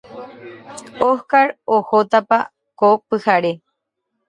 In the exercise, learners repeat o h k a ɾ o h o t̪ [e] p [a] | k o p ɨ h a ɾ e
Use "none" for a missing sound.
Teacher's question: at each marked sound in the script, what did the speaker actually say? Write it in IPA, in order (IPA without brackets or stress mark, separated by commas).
a, a